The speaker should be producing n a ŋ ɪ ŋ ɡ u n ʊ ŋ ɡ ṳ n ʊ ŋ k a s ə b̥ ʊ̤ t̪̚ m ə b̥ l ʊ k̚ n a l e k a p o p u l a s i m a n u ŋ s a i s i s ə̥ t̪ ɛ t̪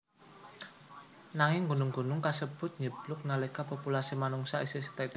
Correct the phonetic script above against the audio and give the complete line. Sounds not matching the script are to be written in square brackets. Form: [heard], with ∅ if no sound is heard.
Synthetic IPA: n a ŋ ɪ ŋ ɡ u n ʊ ŋ ɡ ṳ n ʊ ŋ k a s ə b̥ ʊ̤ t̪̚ [ɲ] ə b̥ l ʊ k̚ n a l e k a p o p u l a s i m a n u ŋ s a i s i s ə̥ t̪ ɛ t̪